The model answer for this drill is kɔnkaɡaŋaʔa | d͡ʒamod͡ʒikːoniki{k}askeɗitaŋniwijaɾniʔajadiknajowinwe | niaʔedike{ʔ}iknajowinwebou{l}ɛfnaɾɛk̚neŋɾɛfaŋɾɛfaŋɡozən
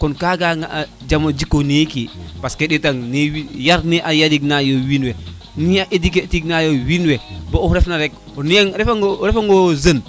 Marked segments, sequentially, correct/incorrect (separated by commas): incorrect, incorrect, incorrect